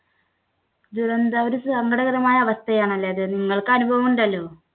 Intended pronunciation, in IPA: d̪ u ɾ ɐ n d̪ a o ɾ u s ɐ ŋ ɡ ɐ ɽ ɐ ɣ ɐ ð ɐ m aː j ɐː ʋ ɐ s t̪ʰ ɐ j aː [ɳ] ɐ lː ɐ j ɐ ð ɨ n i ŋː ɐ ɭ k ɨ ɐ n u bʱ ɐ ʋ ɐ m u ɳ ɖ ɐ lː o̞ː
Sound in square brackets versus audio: correct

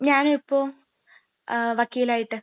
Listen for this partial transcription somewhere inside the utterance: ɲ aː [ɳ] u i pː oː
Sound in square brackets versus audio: incorrect: n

